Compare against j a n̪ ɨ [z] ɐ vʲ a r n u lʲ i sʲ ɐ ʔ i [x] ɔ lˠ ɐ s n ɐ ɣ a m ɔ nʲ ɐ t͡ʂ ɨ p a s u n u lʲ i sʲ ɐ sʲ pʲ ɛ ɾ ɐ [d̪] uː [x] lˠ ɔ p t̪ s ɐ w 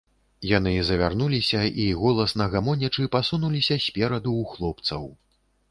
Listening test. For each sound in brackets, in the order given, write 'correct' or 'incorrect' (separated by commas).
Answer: correct, incorrect, correct, correct